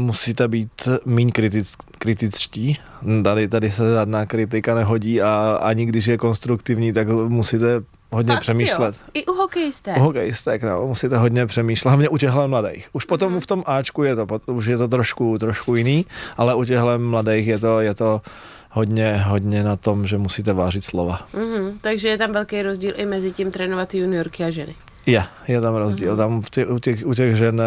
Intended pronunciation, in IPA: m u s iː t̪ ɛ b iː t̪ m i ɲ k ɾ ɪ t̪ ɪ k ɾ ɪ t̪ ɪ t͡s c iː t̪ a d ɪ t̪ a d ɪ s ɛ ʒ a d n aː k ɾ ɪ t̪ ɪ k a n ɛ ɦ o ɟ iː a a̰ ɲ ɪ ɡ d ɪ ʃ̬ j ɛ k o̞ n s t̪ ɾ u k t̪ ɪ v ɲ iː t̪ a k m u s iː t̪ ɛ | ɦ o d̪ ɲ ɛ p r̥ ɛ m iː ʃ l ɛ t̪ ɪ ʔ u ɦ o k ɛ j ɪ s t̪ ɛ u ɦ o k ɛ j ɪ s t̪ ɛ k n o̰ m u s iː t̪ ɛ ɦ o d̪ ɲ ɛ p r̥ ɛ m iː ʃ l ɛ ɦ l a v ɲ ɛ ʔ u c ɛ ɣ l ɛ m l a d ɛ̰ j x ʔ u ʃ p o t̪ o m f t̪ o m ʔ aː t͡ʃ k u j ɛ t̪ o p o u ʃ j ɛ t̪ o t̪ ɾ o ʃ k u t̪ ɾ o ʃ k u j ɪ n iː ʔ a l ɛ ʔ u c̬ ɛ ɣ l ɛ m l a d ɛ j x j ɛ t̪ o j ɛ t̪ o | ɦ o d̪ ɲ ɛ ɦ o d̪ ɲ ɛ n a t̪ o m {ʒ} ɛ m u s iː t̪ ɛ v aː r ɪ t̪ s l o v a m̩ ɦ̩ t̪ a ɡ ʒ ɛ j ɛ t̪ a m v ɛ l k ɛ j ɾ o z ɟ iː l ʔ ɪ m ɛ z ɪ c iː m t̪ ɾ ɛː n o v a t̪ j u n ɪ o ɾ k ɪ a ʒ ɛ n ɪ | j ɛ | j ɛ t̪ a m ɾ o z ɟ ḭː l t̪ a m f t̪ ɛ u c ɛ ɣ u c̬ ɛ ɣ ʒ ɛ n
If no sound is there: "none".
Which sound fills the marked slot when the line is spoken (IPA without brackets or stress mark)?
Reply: ʒ